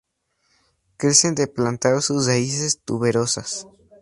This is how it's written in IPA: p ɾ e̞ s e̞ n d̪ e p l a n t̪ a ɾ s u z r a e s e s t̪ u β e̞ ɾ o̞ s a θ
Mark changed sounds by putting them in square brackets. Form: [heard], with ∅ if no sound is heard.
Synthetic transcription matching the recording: [k] ɾ e̞ s e̞ n d̪ e p l a n t̪ a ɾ s u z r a [i] s e s t̪ u β e̞ ɾ o̞ s a [s]

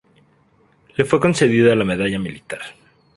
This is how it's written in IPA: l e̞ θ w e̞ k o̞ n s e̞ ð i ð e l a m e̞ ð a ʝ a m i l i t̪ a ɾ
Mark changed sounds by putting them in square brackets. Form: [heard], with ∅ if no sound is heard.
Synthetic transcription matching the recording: l e̞ [f] w e̞ k o̞ n s e̞ ð i ð [a] l a m e̞ ð a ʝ a m i l i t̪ a ɾ

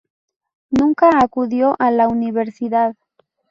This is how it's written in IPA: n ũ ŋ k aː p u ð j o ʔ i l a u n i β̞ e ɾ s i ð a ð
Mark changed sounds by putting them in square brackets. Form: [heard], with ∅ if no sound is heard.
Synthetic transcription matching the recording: n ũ ŋ k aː [k] u ð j o ʔ [a] l a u n i β̞ e ɾ s i ð a ð

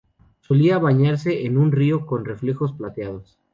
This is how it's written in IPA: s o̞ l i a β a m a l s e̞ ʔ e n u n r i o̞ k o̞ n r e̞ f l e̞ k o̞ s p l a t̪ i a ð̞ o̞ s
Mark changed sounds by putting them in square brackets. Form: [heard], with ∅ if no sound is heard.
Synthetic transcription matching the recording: s o̞ l i a β a [ɲ] a [ɾ] s e̞ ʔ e n u n r i o̞ k o̞ n r e̞ f l e̞ [x] o̞ s p l a t̪ [j] a ð̞ o̞ s

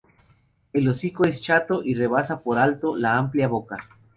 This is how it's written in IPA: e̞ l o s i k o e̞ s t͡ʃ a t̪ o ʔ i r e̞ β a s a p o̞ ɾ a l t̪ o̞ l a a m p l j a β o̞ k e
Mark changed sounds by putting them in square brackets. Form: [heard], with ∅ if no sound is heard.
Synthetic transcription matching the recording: e̞ l o s i k o e̞ s t͡ʃ a t̪ o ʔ i r e̞ β a s a p o̞ ɾ a l t̪ o̞ l a a m p l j a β o̞ k [a]

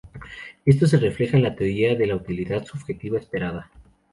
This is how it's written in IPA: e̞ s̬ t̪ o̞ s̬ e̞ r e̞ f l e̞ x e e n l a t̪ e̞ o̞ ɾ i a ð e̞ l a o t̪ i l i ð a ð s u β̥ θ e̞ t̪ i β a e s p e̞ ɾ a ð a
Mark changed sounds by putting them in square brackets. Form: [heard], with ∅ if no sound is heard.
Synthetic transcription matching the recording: e̞ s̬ t̪ o̞ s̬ e̞ r e̞ f l e̞ x [a] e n l a t̪ e̞ o̞ ɾ i a ð e̞ l a [u] t̪ i l i ð a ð s u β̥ [x] e̞ t̪ i β a e s p e̞ ɾ a ð a

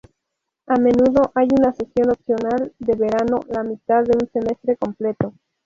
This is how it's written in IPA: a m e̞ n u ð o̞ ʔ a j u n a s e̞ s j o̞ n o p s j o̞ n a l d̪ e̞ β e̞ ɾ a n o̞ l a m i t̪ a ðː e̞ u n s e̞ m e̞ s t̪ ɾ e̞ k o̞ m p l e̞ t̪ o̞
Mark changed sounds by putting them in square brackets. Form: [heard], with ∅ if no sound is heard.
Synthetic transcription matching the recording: a m e̞ n u ð o̞ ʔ a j u n a s e̞ s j o̞ n o p s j o̞ n a l d̪ e̞ β e̞ ɾ a n o̞ l a m i t̪ a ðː e̞ u n s e̞ m e̞ s t̪ ɾ e̞ k o̞ m p l e̞ t̪ o̞

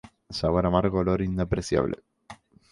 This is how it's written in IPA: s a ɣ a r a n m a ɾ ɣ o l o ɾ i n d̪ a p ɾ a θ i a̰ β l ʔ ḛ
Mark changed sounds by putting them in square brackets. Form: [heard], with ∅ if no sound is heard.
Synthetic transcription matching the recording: s a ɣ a [ɾ] a [∅] m a ɾ ɣ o l o ɾ i n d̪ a p ɾ [e] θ [j] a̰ β l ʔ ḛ

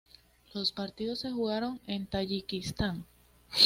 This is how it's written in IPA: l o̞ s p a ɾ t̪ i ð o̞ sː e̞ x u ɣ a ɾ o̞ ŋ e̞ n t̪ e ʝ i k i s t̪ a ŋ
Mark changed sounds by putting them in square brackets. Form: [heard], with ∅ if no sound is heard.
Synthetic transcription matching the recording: l o̞ s p a ɾ t̪ i ð o̞ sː e̞ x u ɣ a ɾ o̞ ŋ e̞ n t̪ [a] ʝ i k i s t̪ a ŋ

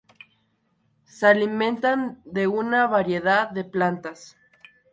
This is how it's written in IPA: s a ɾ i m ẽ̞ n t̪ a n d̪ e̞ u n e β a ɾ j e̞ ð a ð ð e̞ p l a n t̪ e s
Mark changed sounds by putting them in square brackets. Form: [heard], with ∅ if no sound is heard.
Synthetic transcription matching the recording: s a [l] i m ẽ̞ n t̪ a n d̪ e̞ u n [a] β a ɾ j e̞ ð a ð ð e̞ p l a n t̪ [a] s

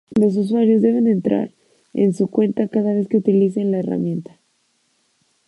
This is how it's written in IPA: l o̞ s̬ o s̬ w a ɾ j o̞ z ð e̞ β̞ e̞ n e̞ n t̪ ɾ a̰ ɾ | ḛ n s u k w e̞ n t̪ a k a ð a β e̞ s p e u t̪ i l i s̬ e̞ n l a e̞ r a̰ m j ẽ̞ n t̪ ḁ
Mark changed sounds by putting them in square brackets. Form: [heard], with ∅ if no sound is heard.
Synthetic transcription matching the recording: l o̞ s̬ [u] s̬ w a ɾ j o̞ z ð e̞ β̞ e̞ n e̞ n t̪ ɾ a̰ ɾ | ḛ n s u k w e̞ n t̪ a k a ð a β e̞ s [k] e u t̪ i l i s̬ e̞ n l a e̞ r a̰ m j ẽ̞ n t̪ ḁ

